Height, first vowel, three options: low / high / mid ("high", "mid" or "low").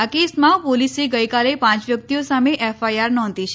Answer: low